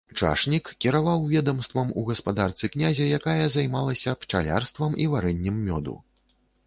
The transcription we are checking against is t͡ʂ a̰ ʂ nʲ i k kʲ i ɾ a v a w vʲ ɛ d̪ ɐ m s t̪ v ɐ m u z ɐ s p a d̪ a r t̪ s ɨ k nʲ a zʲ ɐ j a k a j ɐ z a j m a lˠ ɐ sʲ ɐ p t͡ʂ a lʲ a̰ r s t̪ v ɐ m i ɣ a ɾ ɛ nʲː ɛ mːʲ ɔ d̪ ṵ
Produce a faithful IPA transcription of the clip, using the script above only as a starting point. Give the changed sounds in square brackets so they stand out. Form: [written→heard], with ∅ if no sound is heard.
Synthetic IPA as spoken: t͡ʂ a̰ ʂ nʲ i k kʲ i ɾ a v a w vʲ ɛ d̪ ɐ m s t̪ v ɐ m u [z→ɣ] ɐ s p a d̪ a r t̪ s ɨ k nʲ a zʲ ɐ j a k a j ɐ z a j m a lˠ ɐ sʲ ɐ p t͡ʂ a lʲ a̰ r s t̪ v ɐ m i [ɣ→v] a ɾ ɛ nʲː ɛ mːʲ ɔ d̪ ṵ